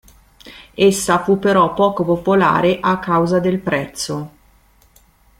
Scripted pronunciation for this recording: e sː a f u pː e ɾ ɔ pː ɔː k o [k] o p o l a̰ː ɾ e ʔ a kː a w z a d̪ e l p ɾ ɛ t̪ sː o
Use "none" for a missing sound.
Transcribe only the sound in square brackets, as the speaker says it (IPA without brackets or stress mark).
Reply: p